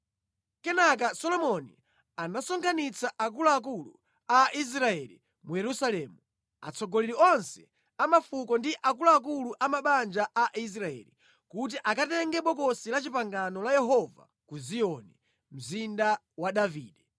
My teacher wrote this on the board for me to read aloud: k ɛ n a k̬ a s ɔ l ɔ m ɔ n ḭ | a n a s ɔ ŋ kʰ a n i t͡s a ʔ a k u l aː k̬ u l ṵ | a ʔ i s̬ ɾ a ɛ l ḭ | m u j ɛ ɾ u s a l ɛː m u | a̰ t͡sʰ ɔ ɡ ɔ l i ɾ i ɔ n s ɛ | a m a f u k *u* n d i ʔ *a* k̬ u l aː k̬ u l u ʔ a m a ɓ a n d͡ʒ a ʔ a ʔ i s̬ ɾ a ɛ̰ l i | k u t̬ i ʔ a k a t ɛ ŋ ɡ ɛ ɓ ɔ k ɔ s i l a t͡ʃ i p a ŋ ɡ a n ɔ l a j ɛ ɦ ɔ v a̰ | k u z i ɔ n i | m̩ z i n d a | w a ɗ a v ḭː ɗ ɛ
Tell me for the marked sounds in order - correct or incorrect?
incorrect: ɔ, correct

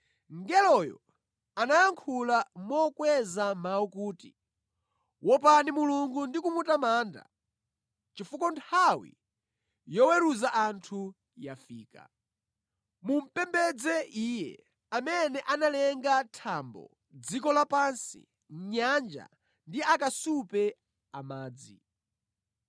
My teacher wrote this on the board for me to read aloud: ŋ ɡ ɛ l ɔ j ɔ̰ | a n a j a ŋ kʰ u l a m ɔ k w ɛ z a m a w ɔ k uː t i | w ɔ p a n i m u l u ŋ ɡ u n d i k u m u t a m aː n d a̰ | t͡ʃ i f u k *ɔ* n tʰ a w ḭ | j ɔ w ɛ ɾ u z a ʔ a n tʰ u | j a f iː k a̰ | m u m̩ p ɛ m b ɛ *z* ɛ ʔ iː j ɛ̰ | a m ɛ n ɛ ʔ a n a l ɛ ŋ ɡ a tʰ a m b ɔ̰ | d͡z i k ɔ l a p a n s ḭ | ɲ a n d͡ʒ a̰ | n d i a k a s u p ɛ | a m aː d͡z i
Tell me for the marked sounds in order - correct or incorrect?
correct, incorrect: d͡z

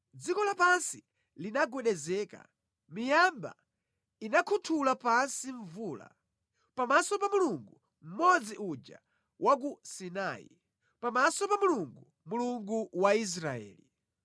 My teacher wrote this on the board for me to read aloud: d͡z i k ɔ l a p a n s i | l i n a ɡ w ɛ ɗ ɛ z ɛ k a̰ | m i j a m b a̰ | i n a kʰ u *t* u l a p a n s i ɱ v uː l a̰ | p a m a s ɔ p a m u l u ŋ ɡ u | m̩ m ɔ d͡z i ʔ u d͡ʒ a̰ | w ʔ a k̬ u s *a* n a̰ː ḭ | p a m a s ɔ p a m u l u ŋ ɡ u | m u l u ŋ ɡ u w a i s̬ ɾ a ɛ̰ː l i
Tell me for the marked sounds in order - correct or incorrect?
incorrect: tʰ, incorrect: i

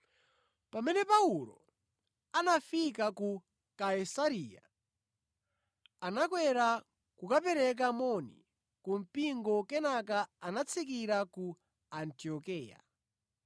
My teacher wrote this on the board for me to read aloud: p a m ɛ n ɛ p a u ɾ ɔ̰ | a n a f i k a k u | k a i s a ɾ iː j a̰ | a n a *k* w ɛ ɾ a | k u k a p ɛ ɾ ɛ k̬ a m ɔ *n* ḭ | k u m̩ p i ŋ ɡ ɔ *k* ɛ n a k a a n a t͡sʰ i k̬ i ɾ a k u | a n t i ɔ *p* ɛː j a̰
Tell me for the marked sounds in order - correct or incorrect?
correct, correct, correct, incorrect: k

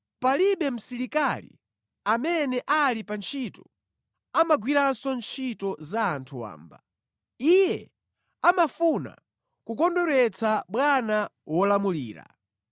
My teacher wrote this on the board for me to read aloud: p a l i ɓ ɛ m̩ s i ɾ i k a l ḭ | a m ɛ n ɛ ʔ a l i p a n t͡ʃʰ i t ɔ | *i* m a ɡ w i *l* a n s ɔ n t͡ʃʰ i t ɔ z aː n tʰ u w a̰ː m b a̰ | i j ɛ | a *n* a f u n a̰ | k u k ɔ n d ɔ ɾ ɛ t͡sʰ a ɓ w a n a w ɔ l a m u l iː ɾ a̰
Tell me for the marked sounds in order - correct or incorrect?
incorrect: a, incorrect: ɾ, incorrect: m

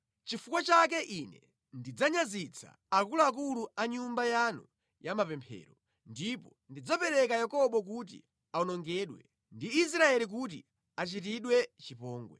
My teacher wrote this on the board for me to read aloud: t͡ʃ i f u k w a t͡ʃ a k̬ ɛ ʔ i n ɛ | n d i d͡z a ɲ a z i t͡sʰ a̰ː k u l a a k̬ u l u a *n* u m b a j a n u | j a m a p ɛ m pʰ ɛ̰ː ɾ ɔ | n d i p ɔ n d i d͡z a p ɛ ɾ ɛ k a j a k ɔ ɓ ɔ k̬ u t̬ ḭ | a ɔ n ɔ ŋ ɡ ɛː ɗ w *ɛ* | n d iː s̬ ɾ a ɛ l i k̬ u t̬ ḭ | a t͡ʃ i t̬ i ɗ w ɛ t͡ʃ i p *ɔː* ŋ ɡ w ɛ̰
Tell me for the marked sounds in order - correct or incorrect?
incorrect: ɲ, correct, correct

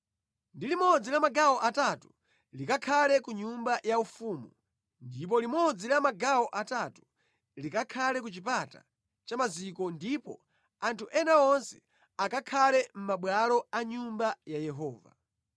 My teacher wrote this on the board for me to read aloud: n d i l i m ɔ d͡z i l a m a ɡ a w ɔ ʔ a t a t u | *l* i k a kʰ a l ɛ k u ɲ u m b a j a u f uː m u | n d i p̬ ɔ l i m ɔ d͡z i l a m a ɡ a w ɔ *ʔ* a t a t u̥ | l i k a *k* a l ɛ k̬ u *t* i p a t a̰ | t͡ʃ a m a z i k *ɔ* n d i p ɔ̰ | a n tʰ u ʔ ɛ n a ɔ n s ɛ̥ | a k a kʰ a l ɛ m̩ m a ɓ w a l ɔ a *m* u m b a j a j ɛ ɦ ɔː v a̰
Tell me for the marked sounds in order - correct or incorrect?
correct, correct, incorrect: kʰ, incorrect: t͡ʃ, correct, incorrect: ɲ

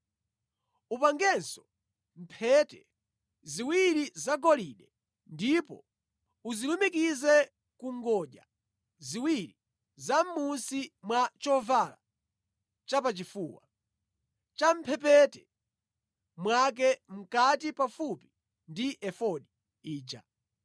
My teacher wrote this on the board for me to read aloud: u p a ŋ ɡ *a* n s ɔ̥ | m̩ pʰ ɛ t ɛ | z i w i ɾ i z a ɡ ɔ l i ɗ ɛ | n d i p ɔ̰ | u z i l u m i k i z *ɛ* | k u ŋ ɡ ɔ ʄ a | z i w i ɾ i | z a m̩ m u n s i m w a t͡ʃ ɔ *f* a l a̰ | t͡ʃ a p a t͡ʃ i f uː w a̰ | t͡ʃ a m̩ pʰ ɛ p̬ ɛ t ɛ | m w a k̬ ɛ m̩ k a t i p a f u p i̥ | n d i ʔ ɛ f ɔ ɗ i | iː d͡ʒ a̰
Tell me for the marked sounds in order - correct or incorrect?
incorrect: ɛ, correct, incorrect: v

